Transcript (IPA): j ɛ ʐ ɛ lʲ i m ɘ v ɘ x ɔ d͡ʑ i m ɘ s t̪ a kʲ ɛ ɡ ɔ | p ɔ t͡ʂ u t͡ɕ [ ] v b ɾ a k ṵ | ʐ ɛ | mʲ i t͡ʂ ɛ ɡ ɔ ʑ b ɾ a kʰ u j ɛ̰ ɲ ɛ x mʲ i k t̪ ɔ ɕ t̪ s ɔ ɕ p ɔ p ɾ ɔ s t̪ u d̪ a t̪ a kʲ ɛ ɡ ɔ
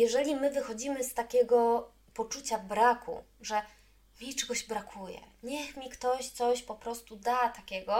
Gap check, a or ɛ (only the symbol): a